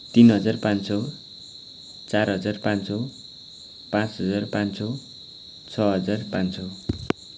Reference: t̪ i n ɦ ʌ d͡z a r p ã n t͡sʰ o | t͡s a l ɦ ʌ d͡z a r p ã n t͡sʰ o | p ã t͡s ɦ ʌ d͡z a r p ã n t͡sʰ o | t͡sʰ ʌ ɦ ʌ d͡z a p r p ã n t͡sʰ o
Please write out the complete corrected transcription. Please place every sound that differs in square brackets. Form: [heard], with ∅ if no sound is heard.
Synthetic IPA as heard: t̪ i n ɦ ʌ d͡z a r p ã n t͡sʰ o | t͡s a [r] ɦ ʌ d͡z a r p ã n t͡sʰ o | p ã t͡s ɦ ʌ d͡z a r p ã n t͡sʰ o | t͡sʰ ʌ ɦ ʌ d͡z a [∅] r p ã n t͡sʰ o